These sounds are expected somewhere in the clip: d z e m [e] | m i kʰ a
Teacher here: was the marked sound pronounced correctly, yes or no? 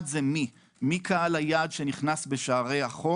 no